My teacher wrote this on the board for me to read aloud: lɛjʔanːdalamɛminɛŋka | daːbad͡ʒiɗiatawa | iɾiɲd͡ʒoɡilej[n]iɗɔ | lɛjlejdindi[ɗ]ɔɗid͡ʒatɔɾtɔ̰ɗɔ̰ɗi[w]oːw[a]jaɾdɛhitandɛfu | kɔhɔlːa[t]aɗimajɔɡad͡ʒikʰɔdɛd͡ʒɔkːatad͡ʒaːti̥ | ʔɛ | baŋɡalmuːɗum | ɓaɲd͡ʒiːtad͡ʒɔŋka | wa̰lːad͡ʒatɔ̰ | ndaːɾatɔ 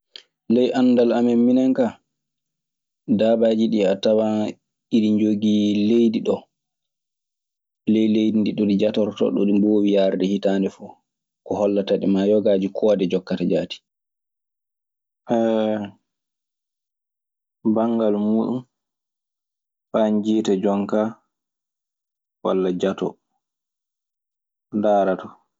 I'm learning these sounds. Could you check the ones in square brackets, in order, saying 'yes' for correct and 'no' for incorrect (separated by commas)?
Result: no, yes, no, no, yes